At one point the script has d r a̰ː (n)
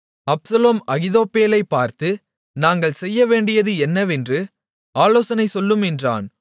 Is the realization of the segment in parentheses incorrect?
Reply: no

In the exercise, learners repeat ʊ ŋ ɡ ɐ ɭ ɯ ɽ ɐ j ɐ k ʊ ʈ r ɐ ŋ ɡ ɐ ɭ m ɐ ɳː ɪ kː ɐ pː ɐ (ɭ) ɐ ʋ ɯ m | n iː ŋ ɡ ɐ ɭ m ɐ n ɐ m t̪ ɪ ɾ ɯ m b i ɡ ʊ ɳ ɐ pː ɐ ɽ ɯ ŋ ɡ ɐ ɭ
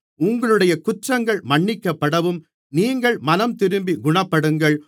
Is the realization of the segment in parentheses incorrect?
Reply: yes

